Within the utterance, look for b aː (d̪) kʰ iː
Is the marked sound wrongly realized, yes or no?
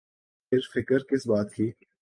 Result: yes